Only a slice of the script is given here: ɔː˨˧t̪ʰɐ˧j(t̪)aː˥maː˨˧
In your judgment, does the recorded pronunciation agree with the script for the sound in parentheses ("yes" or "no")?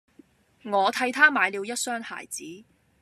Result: no